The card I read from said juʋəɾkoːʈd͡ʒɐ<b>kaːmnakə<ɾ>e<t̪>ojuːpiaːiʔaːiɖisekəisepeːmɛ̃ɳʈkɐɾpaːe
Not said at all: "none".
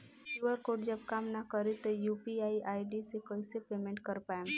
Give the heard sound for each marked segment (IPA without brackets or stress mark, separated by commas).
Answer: b, ɾ, t̪